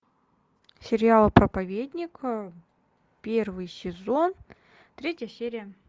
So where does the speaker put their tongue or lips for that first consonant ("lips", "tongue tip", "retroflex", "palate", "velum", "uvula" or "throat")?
tongue tip